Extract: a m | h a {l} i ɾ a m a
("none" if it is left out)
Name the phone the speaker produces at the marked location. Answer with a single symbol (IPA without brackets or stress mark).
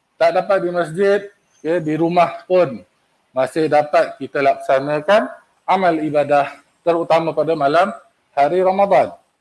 ɾ